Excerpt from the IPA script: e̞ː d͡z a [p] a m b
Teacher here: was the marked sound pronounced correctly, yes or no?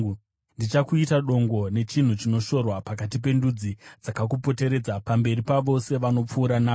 yes